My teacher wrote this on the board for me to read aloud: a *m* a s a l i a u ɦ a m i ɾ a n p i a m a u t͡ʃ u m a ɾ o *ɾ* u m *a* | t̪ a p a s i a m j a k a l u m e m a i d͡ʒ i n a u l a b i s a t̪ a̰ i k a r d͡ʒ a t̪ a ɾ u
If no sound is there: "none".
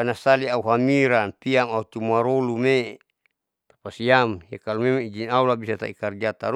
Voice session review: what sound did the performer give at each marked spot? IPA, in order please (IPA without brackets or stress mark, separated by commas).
n, l, e